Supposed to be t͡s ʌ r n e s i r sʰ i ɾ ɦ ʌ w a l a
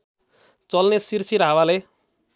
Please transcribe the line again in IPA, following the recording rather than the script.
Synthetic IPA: t͡s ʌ l n e s i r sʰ i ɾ ɦ a w a l e